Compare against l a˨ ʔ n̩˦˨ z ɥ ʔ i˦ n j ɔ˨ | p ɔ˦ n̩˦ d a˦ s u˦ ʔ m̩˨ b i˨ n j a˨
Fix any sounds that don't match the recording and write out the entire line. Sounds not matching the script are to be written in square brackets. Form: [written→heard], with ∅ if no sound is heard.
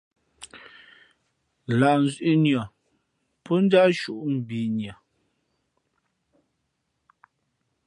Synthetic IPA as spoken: l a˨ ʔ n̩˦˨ z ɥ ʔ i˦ n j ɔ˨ | p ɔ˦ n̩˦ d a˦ [s→ʃ] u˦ ʔ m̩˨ b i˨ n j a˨